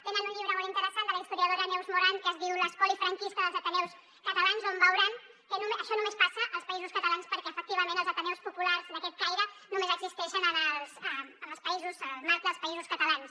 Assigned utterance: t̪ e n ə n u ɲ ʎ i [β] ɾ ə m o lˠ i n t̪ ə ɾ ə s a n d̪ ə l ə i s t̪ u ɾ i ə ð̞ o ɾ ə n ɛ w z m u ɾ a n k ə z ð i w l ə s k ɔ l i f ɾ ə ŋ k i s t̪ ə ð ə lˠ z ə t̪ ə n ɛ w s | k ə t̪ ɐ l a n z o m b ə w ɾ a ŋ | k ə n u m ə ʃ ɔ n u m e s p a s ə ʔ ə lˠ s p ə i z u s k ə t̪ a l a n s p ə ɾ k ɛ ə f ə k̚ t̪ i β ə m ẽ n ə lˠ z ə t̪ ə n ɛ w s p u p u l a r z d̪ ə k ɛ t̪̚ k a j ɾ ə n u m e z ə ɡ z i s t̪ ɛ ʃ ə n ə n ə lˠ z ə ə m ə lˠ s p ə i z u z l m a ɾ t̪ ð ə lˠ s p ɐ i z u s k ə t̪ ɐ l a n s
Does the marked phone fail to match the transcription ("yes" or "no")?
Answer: no